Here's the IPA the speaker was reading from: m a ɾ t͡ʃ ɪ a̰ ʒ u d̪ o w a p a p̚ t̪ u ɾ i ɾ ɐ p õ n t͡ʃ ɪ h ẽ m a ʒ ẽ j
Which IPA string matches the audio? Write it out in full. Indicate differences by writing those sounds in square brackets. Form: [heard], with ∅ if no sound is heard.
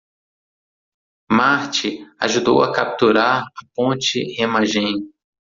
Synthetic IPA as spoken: m a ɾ t͡ʃ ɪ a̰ ʒ u d̪ o w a [k] a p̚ t̪ u ɾ [a] ɾ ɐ p õ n t͡ʃ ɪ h [e] m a ʒ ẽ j